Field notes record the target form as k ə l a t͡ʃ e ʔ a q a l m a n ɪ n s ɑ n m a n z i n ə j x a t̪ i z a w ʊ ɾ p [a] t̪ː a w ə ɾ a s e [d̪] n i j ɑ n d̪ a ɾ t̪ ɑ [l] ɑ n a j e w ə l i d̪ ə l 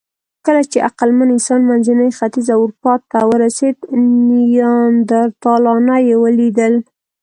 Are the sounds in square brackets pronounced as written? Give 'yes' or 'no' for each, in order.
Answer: no, yes, yes

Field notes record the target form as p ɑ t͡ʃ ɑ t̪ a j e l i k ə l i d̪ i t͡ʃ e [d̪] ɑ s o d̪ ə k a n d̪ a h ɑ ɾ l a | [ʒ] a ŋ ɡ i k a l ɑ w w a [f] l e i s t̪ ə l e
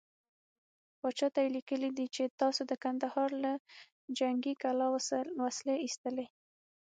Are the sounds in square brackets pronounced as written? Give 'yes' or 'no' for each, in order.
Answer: no, no, no

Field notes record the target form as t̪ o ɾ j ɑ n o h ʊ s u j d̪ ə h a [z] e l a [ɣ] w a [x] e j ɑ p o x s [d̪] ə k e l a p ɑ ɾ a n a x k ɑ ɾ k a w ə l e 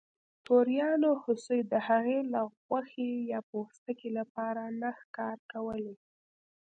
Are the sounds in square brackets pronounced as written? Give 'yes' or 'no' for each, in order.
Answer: no, yes, yes, no

